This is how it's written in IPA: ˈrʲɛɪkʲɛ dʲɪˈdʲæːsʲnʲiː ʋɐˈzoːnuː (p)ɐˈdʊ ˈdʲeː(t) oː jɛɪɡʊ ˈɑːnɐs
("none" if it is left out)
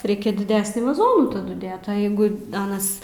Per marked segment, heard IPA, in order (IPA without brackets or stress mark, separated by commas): t, t